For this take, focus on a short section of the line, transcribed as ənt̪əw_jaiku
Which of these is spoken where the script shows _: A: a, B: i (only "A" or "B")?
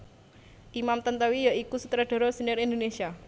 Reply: B